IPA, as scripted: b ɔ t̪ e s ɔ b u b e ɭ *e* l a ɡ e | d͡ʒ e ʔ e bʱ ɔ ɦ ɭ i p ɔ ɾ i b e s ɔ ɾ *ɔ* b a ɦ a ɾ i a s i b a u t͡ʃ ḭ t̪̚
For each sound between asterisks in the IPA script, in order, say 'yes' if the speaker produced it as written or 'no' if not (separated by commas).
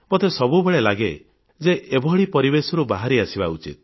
yes, no